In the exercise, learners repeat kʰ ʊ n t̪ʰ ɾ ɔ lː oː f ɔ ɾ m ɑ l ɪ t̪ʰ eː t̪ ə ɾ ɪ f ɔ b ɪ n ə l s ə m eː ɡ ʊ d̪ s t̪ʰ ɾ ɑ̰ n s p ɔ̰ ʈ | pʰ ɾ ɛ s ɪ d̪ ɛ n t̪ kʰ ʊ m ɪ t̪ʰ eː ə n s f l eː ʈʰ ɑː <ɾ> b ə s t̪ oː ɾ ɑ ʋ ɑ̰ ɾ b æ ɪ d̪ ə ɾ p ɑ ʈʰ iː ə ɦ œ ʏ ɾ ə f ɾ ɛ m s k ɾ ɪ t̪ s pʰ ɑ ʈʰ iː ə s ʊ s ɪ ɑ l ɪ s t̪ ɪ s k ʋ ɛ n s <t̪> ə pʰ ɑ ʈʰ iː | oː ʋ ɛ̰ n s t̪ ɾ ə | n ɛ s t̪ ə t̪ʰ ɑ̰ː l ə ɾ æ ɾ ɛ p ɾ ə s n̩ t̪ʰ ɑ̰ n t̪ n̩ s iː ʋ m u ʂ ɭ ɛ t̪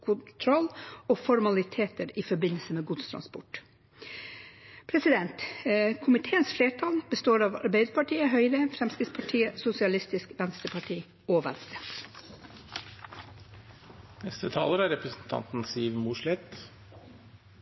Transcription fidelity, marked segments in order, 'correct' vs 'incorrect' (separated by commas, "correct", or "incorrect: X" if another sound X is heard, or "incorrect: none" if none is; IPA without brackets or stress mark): incorrect: l, correct